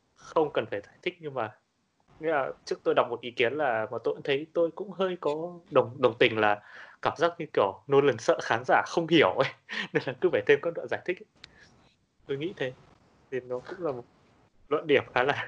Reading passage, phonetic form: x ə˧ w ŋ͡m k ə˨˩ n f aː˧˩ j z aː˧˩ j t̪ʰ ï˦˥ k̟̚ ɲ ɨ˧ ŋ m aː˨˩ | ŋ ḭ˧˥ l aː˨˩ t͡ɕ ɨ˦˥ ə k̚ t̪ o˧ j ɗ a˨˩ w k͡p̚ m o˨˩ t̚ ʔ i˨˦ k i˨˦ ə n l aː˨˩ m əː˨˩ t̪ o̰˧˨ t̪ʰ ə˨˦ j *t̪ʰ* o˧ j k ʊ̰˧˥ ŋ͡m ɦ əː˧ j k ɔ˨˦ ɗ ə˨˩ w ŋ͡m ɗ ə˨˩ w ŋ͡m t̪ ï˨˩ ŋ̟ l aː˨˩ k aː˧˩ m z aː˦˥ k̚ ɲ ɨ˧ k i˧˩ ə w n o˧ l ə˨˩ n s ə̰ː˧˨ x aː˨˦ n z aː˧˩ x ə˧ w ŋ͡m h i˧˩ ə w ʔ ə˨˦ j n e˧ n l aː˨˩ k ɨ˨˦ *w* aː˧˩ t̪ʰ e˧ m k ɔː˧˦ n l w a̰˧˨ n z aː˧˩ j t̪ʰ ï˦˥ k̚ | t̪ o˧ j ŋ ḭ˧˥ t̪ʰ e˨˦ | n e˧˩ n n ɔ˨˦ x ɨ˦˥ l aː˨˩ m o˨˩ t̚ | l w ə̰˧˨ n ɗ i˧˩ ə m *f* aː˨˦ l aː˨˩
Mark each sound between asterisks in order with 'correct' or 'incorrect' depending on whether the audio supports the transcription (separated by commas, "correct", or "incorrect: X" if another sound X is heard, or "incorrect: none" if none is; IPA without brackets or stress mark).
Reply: incorrect: t̪, incorrect: v, incorrect: x